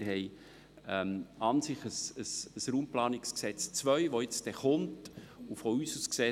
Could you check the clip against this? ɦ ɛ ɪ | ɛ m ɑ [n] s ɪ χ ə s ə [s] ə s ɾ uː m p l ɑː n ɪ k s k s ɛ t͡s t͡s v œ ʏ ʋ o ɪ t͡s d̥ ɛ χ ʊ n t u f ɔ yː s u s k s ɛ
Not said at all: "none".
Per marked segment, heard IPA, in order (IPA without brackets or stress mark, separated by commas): n, s